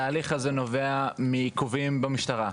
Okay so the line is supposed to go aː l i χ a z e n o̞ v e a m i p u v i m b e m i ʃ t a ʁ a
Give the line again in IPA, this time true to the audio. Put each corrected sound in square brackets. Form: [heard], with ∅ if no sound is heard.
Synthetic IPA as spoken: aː l i χ a z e n o̞ v e a m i [k] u v i m b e m i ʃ t a ʁ a

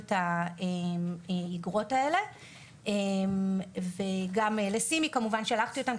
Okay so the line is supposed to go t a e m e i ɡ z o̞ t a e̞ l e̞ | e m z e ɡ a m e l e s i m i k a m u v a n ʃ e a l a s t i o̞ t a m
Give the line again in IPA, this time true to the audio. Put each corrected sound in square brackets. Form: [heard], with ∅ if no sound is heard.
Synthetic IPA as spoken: t a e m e i ɡ [ʁ] o̞ t a e̞ l e̞ | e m [v] e ɡ a m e l e s i m i k a m u v a n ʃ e a l a [χ] t i o̞ t a m

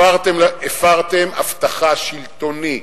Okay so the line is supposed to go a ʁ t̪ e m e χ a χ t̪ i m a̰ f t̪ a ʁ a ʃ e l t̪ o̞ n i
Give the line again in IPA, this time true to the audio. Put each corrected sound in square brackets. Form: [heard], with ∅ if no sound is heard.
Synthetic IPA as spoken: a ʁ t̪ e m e [f] a [ʁ] t̪ [e] m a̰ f t̪ a [χ] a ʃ [i] l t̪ o̞ n i

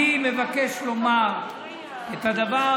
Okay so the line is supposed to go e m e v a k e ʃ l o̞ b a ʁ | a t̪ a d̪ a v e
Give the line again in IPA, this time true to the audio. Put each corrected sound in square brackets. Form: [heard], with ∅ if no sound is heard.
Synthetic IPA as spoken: [i] m e v a k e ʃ l o̞ [m] a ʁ | [e] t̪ a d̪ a v [a]

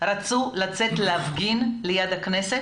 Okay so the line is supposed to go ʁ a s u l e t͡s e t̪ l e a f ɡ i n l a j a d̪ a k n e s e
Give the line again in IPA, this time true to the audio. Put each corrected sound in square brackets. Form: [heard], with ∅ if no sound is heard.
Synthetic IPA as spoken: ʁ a [t͡s] u l [a] t͡s e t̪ l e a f ɡ i n l [e] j a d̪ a k n e s e

